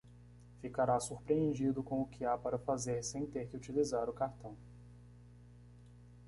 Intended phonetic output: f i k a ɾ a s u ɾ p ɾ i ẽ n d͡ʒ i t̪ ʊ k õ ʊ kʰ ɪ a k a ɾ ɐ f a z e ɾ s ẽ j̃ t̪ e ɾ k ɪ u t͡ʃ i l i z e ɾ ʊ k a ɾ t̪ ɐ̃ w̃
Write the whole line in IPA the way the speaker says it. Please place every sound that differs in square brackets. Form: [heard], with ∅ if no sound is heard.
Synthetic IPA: f i k a ɾ a s u ɾ p ɾ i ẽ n d͡ʒ i [d̪] ʊ k õ ʊ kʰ ɪ a [p] a ɾ ɐ f a z e ɾ s ẽ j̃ t̪ e ɾ k ɪ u t͡ʃ i l i z [a] ɾ ʊ k a ɾ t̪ ɐ̃ w̃